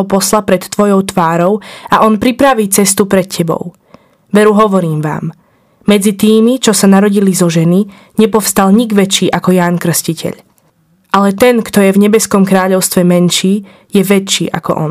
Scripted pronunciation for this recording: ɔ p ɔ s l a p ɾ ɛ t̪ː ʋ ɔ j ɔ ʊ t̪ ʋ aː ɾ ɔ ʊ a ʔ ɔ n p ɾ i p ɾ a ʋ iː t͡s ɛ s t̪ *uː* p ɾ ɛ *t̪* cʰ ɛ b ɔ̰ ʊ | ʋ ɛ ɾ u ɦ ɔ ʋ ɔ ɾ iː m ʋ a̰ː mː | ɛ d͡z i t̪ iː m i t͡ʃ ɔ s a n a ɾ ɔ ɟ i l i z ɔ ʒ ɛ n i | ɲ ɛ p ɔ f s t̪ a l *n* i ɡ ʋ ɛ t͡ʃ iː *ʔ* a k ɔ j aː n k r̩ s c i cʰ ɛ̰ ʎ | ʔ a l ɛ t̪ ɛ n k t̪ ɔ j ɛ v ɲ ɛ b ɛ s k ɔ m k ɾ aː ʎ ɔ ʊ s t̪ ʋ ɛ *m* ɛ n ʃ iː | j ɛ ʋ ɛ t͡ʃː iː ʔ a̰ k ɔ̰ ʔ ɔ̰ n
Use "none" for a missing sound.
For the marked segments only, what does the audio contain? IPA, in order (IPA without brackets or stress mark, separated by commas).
u, t̪, ɲ, ʔ, m